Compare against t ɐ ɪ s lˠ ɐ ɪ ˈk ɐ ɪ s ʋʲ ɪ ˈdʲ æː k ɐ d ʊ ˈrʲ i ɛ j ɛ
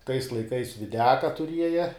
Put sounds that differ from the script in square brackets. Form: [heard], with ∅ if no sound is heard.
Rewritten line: t ɐ ɪ s lˠ ɐ ɪ ˈk ɐ ɪ s ʋʲ ɪ ˈdʲ æː k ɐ [t] ʊ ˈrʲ i ɛ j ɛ